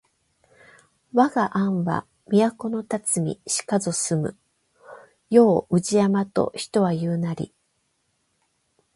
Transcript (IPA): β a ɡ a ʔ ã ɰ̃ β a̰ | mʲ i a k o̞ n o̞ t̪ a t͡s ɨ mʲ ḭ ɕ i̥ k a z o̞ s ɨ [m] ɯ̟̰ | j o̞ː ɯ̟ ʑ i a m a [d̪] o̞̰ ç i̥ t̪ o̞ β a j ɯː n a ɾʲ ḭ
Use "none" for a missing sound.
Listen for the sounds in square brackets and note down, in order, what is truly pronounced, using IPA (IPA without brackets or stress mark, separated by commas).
m, t̪